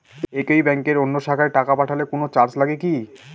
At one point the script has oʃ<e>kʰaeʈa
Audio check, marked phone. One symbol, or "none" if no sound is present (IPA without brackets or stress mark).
a